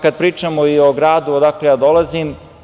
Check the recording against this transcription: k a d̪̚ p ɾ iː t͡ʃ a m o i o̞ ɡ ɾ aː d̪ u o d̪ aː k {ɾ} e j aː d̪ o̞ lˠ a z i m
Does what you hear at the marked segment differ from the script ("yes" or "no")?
yes